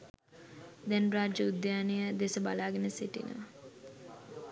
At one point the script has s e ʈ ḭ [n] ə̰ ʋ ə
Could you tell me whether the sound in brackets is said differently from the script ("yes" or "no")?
no